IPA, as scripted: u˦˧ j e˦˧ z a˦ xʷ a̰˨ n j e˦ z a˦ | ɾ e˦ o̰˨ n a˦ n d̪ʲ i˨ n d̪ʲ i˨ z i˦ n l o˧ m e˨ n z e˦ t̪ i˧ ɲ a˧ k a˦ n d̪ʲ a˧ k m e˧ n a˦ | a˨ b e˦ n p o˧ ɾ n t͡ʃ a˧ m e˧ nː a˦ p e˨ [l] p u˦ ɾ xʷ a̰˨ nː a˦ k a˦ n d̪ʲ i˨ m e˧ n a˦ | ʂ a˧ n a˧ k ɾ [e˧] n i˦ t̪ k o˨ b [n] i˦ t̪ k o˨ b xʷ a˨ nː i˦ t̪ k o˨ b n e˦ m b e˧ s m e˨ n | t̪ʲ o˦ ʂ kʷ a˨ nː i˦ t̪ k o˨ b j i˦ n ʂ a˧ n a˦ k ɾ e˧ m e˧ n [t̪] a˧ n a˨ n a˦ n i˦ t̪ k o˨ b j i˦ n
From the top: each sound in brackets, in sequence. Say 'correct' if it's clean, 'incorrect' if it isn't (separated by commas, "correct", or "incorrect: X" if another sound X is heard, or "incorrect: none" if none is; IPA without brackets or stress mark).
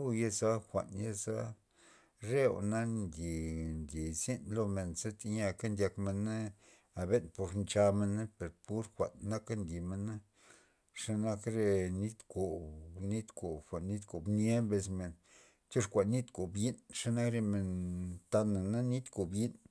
incorrect: ɾ, correct, correct, correct